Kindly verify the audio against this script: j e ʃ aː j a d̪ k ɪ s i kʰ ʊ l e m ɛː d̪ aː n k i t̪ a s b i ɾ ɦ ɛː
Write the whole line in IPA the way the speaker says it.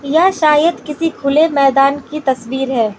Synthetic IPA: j a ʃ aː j ə d̪ k ɪ s i kʰ ʊ l e m ɛː d̪ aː n k i t̪ ɐ s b iː ɾ ɦ ɛː